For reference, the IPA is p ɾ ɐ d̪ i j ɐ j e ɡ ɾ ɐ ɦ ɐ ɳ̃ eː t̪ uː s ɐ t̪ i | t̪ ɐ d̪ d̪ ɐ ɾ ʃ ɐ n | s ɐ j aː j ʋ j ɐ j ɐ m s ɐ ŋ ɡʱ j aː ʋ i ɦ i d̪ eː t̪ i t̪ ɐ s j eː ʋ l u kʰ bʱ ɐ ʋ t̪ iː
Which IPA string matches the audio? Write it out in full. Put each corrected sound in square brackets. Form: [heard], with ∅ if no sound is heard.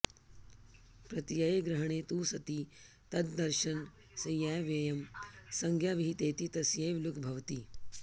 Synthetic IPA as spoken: p ɾ ɐ [t̪] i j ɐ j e ɡ ɾ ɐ ɦ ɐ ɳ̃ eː t̪ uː s ɐ t̪ i | t̪ ɐ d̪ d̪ ɐ ɾ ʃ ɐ n | s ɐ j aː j ʋ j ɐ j ɐ m s ɐ ŋ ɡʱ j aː ʋ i ɦ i [t̪] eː t̪ i t̪ ɐ s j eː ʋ l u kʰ bʱ ɐ ʋ t̪ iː